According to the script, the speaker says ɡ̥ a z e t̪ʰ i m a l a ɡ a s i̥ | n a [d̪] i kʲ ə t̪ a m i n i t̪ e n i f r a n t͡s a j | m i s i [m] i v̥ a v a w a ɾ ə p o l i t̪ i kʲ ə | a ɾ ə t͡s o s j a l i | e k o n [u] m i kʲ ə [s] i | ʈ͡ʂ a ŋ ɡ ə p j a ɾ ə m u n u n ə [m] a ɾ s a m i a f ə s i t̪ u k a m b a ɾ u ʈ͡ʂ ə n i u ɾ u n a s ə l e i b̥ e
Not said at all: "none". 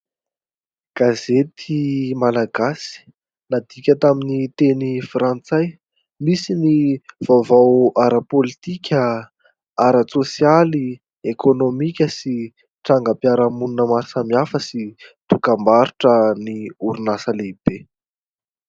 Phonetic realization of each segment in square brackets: d̪, n, o, s, m

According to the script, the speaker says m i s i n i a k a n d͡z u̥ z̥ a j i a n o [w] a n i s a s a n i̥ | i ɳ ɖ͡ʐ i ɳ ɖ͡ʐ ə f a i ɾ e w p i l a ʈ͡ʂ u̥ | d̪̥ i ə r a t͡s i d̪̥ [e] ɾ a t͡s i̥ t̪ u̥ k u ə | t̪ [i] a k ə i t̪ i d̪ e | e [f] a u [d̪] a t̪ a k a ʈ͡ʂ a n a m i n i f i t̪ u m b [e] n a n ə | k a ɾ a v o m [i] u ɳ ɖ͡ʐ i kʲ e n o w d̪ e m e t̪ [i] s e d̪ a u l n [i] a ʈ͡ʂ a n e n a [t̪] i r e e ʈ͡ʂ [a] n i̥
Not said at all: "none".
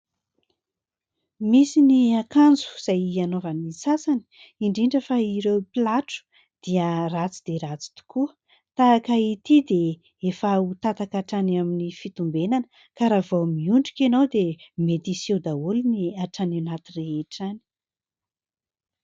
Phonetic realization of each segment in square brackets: v, e, a, f, t̪, e, i, i, i, t̪, a

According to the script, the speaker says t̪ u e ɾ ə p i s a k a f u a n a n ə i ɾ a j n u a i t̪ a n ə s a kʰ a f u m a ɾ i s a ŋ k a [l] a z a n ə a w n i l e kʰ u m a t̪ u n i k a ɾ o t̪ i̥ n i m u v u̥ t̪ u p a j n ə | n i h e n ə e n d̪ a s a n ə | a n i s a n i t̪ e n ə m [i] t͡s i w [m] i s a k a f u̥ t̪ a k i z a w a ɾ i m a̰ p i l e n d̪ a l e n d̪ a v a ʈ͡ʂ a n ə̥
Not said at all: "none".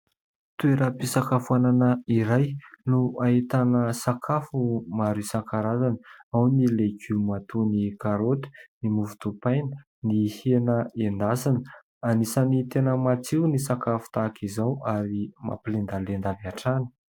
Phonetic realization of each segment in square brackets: ɾ, a, n

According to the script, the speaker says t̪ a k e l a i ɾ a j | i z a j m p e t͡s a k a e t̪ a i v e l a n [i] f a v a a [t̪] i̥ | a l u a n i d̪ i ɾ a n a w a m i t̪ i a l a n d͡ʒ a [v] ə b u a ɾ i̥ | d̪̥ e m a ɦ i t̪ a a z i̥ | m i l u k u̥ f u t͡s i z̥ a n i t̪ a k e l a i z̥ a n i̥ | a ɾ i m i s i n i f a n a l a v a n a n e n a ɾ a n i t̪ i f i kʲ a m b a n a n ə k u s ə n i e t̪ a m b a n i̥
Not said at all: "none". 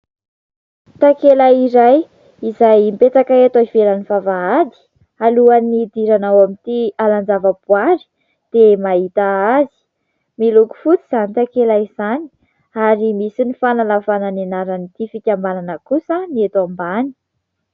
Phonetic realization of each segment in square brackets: i, d̪, v

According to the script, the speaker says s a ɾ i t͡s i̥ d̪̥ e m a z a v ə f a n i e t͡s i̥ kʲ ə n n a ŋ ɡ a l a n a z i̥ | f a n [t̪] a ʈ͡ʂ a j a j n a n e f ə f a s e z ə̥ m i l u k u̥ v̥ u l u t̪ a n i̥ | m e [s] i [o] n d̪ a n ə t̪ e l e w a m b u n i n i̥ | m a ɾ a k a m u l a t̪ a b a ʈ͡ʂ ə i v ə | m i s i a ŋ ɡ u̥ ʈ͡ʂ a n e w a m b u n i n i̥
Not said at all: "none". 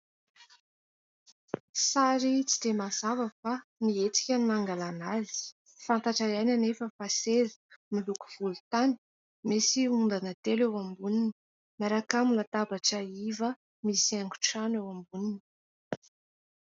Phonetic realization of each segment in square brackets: t̪, s, u

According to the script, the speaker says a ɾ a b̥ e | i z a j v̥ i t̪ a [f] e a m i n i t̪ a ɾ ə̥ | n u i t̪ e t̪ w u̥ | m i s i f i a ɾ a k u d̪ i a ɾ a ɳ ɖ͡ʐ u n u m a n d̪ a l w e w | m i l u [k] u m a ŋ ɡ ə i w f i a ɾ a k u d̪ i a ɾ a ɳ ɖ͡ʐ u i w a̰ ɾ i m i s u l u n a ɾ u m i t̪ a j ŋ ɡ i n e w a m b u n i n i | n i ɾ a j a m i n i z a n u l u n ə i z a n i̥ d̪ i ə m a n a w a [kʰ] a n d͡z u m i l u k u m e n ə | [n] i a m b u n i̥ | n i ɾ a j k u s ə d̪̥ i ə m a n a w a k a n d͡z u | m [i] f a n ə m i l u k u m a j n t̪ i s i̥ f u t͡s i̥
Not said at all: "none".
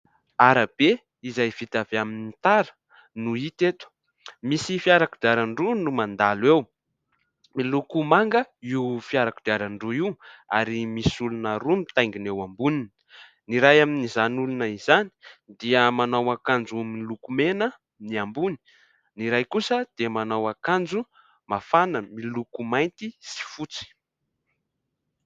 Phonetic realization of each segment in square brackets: v, k, k, n, a

